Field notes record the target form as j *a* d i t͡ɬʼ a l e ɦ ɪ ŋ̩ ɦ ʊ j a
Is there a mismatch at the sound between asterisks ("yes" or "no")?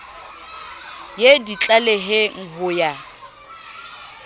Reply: yes